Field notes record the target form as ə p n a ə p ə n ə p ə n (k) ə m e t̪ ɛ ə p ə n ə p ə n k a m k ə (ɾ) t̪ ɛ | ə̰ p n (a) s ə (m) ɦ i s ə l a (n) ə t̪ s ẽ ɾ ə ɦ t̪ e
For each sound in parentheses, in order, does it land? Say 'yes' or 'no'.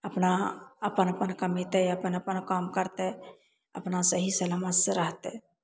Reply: yes, yes, yes, no, no

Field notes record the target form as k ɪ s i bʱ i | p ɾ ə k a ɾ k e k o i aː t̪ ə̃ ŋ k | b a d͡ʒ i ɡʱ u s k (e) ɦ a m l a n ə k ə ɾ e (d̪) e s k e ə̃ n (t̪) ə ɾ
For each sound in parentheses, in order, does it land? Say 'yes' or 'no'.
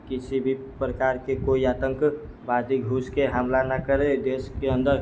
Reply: yes, yes, no

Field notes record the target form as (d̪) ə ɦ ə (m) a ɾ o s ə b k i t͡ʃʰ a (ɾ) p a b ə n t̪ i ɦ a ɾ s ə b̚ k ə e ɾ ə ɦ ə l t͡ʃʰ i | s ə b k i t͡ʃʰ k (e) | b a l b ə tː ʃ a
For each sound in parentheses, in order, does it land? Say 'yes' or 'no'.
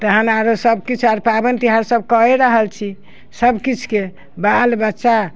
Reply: no, no, yes, yes

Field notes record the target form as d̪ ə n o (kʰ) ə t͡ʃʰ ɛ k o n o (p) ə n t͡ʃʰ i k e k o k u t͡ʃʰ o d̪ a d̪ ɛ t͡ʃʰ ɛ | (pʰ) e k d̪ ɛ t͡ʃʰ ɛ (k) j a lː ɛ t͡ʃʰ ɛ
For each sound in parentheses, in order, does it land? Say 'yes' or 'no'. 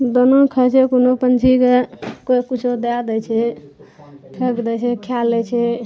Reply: yes, yes, yes, no

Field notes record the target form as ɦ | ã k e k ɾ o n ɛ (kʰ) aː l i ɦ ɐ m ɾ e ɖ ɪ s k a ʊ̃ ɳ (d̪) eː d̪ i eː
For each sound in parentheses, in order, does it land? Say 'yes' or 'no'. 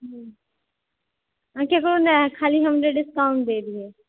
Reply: yes, yes

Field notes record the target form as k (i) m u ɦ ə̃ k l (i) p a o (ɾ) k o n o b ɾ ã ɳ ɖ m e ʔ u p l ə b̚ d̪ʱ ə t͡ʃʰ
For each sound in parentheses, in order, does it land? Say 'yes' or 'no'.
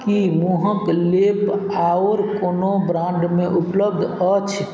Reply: yes, no, yes

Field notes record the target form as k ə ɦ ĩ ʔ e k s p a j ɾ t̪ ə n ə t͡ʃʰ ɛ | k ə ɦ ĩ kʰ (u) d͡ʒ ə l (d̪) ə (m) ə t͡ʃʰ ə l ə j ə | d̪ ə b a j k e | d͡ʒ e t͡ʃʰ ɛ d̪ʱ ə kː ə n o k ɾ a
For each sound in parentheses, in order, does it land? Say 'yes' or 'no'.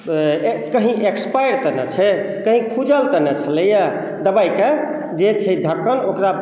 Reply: yes, no, no

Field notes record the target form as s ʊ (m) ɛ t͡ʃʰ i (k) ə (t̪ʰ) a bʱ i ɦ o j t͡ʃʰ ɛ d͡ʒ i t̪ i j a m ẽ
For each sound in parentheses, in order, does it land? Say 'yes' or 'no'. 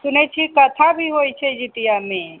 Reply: no, yes, yes

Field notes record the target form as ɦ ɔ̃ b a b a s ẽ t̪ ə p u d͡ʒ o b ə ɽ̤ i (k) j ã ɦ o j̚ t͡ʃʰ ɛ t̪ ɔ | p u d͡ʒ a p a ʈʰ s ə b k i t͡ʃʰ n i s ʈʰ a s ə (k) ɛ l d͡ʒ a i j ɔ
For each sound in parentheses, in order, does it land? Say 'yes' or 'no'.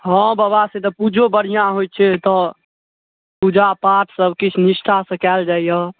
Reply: no, yes

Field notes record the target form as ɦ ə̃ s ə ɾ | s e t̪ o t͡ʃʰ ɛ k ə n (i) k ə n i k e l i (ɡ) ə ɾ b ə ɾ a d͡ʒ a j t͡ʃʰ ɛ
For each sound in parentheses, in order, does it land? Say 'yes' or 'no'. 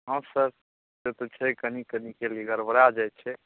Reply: yes, yes

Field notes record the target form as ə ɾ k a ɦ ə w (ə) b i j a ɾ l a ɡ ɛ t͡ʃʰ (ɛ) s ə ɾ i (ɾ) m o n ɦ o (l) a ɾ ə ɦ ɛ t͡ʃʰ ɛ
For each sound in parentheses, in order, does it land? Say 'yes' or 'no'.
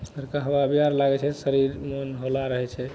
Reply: no, yes, yes, yes

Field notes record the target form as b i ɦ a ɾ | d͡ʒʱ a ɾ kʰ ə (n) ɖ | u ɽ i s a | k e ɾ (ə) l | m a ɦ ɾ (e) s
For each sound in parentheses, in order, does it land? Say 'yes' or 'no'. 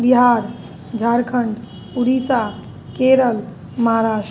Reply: no, yes, no

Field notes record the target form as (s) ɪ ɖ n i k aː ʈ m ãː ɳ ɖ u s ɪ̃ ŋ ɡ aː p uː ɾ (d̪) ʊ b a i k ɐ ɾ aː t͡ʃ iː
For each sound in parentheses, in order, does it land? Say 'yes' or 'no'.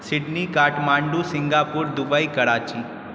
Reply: yes, yes

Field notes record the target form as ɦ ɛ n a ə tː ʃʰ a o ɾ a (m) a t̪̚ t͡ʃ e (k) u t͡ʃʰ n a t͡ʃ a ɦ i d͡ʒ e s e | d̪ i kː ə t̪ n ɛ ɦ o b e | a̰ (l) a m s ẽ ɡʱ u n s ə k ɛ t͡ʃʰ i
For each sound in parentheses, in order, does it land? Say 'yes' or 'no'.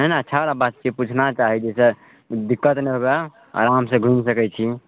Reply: no, no, no

